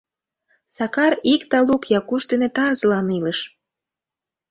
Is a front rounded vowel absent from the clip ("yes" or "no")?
yes